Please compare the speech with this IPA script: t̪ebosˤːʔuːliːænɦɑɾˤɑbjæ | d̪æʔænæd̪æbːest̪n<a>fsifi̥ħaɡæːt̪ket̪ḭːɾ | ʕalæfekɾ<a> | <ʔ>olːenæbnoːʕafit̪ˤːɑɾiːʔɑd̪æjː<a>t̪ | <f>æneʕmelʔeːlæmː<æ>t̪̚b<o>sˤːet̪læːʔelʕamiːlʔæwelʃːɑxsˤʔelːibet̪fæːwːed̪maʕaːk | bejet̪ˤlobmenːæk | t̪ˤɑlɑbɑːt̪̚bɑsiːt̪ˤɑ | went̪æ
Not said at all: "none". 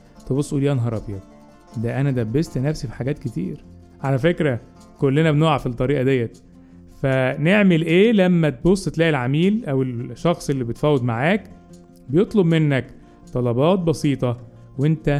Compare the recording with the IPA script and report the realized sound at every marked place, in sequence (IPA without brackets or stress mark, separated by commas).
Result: æ, æ, k, æ, f, æ, o